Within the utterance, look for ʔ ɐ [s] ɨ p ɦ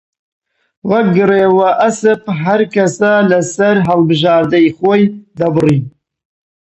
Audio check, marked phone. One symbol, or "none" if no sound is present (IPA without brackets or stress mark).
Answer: s